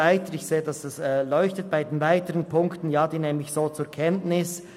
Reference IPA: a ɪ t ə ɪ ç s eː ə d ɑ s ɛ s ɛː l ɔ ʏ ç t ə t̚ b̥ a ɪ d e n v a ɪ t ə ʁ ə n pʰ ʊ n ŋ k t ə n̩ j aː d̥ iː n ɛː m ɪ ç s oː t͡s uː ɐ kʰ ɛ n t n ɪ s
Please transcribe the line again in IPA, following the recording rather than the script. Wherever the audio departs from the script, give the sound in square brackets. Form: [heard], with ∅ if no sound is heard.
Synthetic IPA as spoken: a ɪ t ə ɪ ç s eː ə d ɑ s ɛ s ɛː l ɔ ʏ ç t ə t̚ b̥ a ɪ d e n v a ɪ t ə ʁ ə n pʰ ʊ [∅] ŋ k t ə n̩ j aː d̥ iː n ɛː m ɪ ç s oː t͡s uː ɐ kʰ ɛ n t n ɪ s